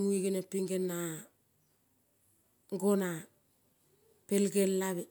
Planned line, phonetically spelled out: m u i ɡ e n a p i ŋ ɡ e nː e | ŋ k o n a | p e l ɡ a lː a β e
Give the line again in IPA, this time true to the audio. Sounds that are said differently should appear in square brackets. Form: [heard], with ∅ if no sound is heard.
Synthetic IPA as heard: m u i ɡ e n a p i ŋ ɡ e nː [a] | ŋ [ɡ] o n a | p e l ɡ [e] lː a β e